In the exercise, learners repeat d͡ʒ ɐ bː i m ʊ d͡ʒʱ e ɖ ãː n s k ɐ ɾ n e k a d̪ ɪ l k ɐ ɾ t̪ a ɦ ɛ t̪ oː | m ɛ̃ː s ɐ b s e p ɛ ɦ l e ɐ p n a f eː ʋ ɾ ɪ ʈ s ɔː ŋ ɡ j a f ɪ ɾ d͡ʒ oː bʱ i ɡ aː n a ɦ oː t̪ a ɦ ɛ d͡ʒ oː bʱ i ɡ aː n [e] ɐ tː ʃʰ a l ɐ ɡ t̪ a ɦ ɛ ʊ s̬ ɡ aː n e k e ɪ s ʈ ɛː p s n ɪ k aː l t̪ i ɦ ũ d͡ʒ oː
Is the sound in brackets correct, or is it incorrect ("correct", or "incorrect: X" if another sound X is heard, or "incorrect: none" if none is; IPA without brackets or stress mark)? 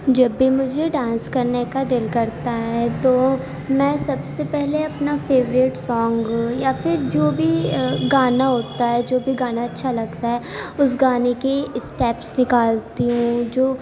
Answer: incorrect: a